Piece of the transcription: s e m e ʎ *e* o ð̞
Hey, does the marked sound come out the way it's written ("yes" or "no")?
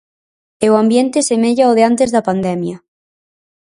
no